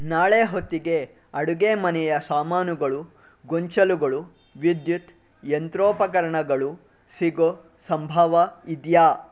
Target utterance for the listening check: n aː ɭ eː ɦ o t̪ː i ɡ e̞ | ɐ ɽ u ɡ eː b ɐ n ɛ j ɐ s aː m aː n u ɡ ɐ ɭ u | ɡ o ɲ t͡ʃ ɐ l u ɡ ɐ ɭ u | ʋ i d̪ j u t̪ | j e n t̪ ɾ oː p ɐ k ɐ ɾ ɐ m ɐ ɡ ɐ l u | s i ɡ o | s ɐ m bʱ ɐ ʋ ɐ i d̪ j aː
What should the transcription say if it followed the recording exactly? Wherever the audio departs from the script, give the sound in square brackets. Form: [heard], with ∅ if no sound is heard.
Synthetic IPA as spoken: n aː ɭ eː ɦ o t̪ː i ɡ e̞ | ɐ ɽ u ɡ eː [m] ɐ n ɛ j ɐ s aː m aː n u ɡ ɐ ɭ u | ɡ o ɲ t͡ʃ ɐ l u ɡ ɐ ɭ u | ʋ i d̪ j u t̪ | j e n t̪ ɾ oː p ɐ k ɐ ɾ ɐ [ɳ] ɐ ɡ ɐ [ɭ] u | s i ɡ o | s ɐ m bʱ ɐ ʋ ɐ i d̪ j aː